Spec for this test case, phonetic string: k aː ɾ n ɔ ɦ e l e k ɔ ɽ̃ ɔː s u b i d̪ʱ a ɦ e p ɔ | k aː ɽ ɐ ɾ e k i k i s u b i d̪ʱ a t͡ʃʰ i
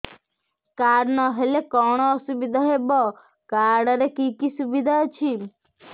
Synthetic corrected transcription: k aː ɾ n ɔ ɦ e l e k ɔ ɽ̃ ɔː s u b i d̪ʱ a ɦ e b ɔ | k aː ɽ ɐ ɾ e k i k i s u b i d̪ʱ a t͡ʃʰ i